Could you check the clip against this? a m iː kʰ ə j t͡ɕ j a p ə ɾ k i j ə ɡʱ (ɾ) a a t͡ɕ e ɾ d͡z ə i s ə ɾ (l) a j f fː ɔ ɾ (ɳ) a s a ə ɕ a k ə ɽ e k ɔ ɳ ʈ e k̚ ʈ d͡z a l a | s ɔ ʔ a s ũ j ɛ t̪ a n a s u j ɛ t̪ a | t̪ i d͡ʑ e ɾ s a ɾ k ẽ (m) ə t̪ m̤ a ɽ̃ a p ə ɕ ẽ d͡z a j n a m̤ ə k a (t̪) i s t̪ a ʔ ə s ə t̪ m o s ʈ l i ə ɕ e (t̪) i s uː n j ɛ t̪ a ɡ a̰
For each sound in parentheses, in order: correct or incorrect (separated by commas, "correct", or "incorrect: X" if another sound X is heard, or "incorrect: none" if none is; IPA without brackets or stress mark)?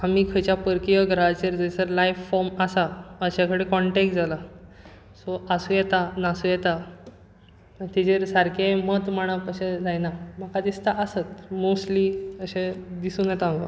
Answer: correct, correct, incorrect: m, correct, incorrect: d̪, incorrect: d̪